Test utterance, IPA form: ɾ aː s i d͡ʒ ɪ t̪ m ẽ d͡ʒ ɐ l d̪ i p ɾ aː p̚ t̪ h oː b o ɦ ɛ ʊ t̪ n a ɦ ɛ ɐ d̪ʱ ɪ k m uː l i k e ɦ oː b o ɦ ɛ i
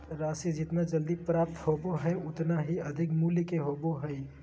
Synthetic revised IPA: ɾ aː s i d͡ʒ ɪ t̪ m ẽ d͡ʒ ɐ l d̪ i p ɾ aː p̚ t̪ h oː b o ɦ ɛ ʊ t̪ n a ɦ i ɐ d̪ʱ ɪ k m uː l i k e ɦ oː b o ɦ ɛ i

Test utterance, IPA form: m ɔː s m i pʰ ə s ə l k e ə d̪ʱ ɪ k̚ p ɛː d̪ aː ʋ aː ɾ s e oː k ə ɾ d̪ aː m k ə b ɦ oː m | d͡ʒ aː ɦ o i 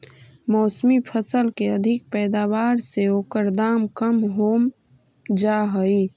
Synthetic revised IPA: m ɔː s m i pʰ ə s ə l k e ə d̪ʱ ɪ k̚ p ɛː d̪ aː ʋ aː ɾ s e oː k ə ɾ d̪ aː m k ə m ɦ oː m | d͡ʒ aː ɦ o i

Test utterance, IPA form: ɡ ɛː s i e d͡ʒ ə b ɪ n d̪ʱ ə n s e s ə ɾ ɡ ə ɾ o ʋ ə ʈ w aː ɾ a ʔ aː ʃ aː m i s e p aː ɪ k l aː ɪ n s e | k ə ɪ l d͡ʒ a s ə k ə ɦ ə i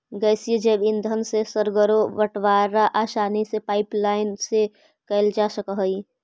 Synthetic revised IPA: ɡ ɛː s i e d͡ʒ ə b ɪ n d̪ʱ ə n s e s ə ɾ ɡ ə ɾ o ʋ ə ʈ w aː ɾ a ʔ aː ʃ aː n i s e p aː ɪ p l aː ɪ n s e | k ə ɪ l d͡ʒ a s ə k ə ɦ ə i

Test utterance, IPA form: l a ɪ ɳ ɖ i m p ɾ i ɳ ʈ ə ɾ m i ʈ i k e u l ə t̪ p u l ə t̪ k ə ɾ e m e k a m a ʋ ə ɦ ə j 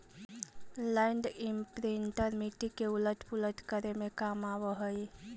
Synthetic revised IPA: l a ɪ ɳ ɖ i m p ɾ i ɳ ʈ ə ɾ m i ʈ i k e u l ə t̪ p u l ə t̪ k ə ɾ e m e k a m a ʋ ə ɦ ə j

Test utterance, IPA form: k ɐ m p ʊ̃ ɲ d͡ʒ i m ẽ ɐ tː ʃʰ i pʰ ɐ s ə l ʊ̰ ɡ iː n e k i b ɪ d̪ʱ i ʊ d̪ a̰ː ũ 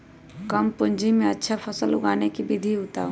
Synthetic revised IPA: k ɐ m p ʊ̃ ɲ d͡ʒ i m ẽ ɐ tː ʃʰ a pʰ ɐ s ə l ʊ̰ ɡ aː n e k i b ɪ d̪ʱ i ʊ t̪ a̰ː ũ

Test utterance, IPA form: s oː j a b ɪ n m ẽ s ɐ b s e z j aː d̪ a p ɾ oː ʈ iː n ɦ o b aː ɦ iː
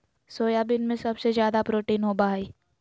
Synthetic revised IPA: s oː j a b ɪ n m ẽ s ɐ b s e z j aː d̪ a p ɾ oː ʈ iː n ɦ o b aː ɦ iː

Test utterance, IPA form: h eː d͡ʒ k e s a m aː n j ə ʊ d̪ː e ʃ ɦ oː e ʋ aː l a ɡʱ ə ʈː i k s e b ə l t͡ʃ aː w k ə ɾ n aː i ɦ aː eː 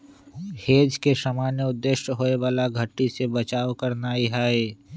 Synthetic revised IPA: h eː d͡ʒ k e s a m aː n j ə ʊ d̪ː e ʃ ɦ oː e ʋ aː l a ɡʱ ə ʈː i s e b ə t͡ʃ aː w k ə ɾ n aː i ɦ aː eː

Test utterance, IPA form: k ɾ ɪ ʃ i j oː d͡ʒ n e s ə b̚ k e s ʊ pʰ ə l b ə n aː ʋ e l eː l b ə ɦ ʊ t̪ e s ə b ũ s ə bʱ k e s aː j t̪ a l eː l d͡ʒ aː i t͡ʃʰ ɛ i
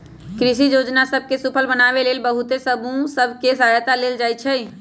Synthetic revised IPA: k ɾ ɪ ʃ i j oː d͡ʒ n a s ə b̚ k e s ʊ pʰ ə l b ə n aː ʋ e l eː l b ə ɦ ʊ t̪ e s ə b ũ s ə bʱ k e s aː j t̪ a l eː l d͡ʒ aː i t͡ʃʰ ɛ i

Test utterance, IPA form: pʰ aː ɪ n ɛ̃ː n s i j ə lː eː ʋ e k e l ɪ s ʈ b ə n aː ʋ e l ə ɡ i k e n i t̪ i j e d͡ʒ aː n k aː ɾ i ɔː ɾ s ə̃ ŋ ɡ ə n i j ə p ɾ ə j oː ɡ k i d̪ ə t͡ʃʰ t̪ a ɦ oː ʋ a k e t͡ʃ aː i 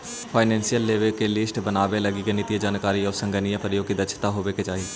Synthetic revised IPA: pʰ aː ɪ n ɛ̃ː n s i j ə lː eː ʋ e k e l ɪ s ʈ b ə n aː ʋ e l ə ɡ i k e n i t̪ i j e d͡ʒ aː n k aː ɾ i ɔː ɾ s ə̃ ŋ ɡ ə n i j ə p ɾ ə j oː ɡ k i d̪ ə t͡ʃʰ t̪ a ɦ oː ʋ e k e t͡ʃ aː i

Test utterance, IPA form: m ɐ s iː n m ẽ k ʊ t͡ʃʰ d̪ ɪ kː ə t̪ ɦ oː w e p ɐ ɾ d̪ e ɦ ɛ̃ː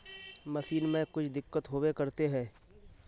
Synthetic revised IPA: m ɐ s iː n m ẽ k ʊ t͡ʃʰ d̪ ɪ kː ə t̪ ɦ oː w e k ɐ ɾ t̪ e ɦ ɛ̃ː

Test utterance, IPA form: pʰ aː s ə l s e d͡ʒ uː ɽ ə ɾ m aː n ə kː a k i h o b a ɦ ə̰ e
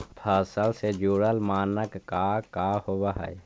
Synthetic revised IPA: pʰ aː s ə l s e d͡ʒ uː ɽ ə l m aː n ə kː a k a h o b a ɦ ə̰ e

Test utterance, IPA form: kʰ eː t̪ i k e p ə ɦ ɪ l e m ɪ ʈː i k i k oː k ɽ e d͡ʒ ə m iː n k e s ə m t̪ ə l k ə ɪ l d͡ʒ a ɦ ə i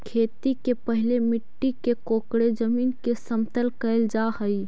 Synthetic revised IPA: kʰ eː t̪ i k e p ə ɦ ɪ l e m ɪ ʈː i k e k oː k ɽ e d͡ʒ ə m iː n k e s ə m t̪ ə l k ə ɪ l d͡ʒ a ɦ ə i

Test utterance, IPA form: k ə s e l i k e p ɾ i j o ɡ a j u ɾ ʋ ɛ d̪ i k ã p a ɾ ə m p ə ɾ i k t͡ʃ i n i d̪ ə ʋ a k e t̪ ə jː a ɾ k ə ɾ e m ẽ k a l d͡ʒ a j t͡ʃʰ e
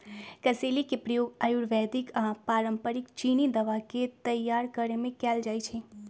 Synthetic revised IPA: k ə s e l i k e p ɾ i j o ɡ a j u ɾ ʋ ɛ d̪ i k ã p a ɾ ə m p ə ɾ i k t͡ʃ i n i d̪ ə ʋ a k e t̪ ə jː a ɾ k ə ɾ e m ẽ k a l d͡ʒ a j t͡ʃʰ e

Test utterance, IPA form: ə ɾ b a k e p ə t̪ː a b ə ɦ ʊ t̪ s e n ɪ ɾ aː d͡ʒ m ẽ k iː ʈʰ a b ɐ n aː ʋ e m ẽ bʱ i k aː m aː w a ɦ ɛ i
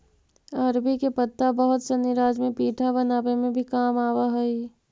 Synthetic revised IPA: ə ɾ b i k e p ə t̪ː a b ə ɦ ʊ t̪ s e n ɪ ɾ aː d͡ʒ m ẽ p iː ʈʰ a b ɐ n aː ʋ e m ẽ bʱ i k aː m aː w a ɦ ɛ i

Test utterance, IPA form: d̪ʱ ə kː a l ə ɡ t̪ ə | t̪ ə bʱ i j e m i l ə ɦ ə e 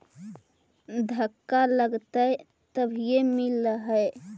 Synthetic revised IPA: d̪ʱ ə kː a l ə ɡ t̪ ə | t̪ ə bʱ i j e m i l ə ɦ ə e

